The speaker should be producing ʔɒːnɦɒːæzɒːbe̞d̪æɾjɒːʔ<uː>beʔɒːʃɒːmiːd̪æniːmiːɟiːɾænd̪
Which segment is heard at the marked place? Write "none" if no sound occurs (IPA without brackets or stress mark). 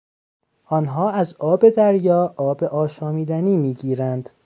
ɒː